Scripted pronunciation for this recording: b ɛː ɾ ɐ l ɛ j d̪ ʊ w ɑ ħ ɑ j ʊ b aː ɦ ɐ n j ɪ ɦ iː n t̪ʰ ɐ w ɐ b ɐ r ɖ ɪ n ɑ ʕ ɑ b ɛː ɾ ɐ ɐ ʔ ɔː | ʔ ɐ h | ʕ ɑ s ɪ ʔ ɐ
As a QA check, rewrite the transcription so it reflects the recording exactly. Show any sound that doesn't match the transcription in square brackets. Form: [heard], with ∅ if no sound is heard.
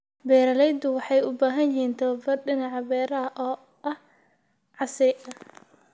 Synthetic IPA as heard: b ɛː ɾ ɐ l ɛ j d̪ ʊ w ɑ ħ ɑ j ʊ b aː ɦ ɐ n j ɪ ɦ iː n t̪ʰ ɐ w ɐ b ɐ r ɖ ɪ n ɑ ʕ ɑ b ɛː ɾ ɐ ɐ ʔ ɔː | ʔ ɐ h | ʕ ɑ s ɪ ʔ ɐ